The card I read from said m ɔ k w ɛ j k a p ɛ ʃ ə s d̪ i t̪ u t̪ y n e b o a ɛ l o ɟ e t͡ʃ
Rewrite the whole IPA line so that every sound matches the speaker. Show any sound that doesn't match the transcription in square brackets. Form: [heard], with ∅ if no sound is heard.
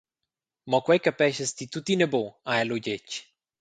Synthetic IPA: m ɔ k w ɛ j k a p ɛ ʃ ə s [t̪] i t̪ u t̪ [i] n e b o a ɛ l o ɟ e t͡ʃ